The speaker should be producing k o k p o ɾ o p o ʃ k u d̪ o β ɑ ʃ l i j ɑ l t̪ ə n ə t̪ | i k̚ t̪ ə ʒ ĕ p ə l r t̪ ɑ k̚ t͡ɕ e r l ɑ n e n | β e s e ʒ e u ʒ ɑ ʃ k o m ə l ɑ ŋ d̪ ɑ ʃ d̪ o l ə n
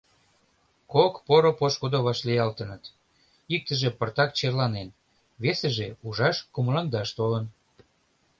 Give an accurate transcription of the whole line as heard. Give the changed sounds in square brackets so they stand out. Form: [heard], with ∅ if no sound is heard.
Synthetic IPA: k o k p o ɾ o p o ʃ k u d̪ o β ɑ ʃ l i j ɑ l t̪ ə n ə t̪ | i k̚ t̪ ə ʒ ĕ p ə [∅] r t̪ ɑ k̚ t͡ɕ e r l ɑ n e n | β e s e ʒ e u ʒ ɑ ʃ k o m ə l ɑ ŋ d̪ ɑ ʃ [t̪] o l ə n